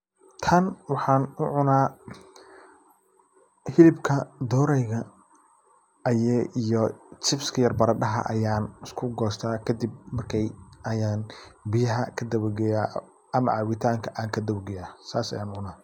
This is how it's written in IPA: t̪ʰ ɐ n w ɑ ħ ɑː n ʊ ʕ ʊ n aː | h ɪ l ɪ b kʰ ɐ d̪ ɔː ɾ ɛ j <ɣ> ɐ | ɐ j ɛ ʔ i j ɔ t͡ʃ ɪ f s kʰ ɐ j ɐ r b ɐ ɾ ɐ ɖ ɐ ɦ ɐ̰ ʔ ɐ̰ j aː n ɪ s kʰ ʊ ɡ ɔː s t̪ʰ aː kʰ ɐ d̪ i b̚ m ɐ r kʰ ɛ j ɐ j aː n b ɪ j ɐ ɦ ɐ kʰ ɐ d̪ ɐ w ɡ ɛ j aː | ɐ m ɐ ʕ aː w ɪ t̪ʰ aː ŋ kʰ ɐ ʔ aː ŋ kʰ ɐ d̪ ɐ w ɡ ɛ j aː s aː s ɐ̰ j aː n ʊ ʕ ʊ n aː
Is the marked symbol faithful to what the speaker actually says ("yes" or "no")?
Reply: yes